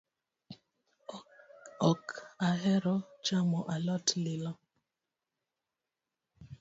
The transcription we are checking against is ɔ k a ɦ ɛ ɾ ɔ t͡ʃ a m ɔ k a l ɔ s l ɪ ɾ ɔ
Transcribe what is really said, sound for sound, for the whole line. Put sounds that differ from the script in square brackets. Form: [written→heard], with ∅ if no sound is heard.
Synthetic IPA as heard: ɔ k a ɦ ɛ ɾ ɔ t͡ʃ a m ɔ [k→ʔ] a l ɔ [s→t] l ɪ [ɾ→l] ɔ